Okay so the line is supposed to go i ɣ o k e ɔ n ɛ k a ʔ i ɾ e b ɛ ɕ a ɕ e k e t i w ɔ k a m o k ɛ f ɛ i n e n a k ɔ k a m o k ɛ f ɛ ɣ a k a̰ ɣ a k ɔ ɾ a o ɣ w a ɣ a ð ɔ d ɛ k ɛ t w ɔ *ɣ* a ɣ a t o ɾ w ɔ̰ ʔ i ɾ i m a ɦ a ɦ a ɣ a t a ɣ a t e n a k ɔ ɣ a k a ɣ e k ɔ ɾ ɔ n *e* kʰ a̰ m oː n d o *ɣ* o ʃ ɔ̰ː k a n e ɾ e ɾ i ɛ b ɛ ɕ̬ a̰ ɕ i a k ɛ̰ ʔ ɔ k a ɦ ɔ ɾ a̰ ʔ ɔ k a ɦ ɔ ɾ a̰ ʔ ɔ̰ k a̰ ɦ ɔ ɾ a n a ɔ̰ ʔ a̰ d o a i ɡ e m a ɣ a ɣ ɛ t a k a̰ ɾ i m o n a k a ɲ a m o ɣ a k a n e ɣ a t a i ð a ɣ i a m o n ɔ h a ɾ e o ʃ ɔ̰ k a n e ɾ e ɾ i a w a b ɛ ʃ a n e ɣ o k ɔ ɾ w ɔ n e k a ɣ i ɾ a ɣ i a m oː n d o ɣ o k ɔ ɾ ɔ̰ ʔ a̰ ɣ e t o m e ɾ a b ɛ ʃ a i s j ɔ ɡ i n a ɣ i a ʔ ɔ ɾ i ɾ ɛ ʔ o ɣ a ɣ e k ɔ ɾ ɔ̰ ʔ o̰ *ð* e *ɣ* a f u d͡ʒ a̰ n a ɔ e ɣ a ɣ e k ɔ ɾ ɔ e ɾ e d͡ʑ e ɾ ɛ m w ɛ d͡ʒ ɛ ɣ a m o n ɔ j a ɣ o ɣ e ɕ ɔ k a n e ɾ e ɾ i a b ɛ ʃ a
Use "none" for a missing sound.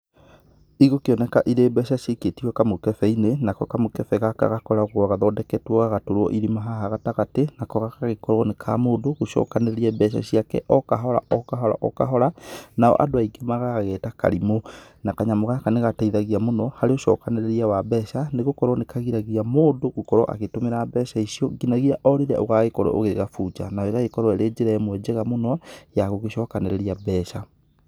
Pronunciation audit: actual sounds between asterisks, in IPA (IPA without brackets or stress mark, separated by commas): ɣ, e, ɣ, ɣ, ɣ